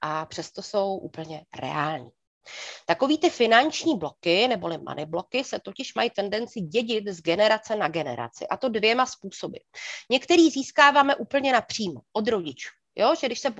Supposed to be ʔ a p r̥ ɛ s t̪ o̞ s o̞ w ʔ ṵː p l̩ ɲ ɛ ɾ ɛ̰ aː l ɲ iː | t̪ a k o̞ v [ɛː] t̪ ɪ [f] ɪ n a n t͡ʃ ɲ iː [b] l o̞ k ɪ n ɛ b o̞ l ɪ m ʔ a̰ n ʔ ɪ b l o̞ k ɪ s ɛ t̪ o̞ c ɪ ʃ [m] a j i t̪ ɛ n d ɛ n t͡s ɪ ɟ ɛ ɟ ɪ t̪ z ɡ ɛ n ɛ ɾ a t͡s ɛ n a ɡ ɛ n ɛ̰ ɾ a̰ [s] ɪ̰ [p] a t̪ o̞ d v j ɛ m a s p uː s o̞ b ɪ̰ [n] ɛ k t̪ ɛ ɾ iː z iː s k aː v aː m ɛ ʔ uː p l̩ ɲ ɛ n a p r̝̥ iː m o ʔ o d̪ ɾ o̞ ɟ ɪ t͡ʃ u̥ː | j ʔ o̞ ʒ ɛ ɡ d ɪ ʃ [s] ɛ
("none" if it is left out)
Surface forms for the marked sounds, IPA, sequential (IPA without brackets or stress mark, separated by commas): iː, f, b, m, t͡s, ʔ, ɲ, s